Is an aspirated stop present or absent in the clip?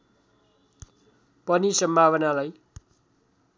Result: absent